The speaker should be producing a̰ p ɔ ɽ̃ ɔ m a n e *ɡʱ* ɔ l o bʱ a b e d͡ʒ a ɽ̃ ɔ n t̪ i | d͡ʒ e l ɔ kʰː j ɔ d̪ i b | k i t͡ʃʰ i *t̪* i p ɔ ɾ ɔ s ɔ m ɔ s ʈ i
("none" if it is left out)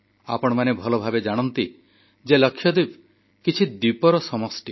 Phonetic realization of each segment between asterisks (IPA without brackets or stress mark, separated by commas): bʱ, d̪